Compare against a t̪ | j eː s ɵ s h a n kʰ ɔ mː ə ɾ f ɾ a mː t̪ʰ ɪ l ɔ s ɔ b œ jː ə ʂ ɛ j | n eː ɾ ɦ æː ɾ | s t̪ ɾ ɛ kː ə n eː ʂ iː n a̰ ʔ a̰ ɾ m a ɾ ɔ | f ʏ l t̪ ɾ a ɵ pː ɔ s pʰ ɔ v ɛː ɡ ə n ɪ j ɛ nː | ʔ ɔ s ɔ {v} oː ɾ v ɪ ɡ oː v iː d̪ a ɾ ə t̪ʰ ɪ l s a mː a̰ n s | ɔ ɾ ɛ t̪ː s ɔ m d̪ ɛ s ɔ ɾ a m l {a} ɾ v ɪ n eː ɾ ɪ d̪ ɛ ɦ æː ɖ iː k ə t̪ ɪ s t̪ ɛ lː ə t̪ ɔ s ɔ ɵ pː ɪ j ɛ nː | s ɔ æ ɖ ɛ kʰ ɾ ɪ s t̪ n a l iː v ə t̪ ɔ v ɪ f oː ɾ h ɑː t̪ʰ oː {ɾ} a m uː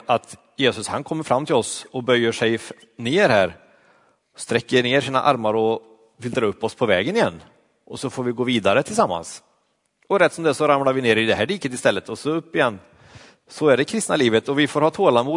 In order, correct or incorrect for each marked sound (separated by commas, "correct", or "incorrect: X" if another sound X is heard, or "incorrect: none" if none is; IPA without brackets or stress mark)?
incorrect: f, correct, incorrect: l